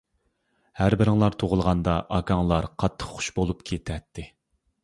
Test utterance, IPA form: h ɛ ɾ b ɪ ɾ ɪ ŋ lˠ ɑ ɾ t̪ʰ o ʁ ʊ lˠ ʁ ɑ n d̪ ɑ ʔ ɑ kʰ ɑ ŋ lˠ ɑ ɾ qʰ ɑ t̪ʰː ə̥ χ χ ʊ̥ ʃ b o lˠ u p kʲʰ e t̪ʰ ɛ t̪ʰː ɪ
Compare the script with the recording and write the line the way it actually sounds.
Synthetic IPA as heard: h æ ɾ b ɪ ɾ ɪ ŋ lˠ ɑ ɾ t̪ʰ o ʁ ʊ lˠ ʁ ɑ n d̪ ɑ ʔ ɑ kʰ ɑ ŋ lˠ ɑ ɾ qʰ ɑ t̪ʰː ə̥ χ χ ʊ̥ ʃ b o lˠ u p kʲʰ e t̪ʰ ɛ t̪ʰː ɪ

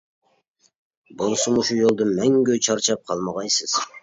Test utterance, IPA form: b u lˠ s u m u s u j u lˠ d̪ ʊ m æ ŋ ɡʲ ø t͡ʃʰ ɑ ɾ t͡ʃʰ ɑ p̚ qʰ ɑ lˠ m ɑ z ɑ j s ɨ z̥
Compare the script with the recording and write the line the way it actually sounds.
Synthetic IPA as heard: b o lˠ s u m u ʃ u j o lˠ d̪ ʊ m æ ŋ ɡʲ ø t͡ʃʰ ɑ ɾ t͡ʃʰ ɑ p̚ qʰ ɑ lˠ m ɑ ʁ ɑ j s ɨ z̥

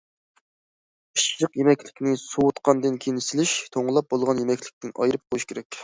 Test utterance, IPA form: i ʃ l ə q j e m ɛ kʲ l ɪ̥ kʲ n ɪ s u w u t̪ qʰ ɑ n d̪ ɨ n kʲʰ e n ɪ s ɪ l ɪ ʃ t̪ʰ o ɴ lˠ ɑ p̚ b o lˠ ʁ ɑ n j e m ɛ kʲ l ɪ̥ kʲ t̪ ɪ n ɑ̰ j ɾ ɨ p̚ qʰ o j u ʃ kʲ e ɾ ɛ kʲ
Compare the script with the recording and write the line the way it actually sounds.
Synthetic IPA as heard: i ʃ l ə q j e m ɛ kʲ l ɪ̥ kʲ n ɪ s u w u t̪ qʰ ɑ n d̪ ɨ n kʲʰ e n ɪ s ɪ l ɪ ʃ t̪ʰ o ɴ lˠ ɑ p̚ b o lˠ ʁ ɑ n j e m ɛ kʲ l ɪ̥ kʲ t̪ ɪ n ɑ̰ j ɾ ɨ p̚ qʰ o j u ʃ kʲ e ɾ ɛ kʲ

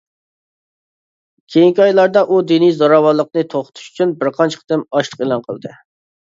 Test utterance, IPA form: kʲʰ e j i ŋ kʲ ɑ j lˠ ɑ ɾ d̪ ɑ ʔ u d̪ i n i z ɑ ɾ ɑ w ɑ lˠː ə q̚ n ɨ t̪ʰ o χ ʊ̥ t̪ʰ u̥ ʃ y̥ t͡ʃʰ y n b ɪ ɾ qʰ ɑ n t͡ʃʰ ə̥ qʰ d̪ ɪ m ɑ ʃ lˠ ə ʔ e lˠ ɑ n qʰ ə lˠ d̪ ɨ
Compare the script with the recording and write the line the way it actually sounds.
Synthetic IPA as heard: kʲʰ e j i ŋ kʲ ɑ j lˠ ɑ ɾ d̪ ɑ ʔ u d̪ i n i z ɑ ɾ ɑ w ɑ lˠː ə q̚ n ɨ t̪ʰ o χ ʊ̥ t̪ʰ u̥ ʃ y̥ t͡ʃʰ y n b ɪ ɾ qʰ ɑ n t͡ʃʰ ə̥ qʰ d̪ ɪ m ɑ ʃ lˠ ə q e lˠ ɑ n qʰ ə lˠ d̪ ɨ

